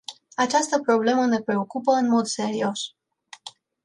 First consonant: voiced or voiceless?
voiceless